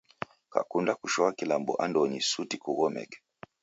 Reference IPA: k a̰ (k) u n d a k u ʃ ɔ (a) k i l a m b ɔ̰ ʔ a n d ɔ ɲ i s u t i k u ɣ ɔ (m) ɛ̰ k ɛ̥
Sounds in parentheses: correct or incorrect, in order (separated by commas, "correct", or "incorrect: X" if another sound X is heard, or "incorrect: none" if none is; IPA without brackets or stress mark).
correct, correct, correct